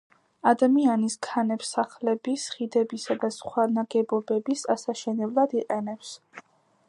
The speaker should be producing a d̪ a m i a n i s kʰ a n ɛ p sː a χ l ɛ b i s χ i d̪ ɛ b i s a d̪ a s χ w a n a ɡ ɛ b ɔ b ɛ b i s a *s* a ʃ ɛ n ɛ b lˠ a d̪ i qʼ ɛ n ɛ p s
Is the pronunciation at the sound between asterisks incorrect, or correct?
correct